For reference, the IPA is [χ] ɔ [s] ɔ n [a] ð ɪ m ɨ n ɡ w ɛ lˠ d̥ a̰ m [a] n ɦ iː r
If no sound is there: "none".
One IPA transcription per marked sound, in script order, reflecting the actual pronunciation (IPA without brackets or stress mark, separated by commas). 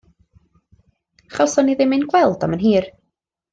χ, s, i, ə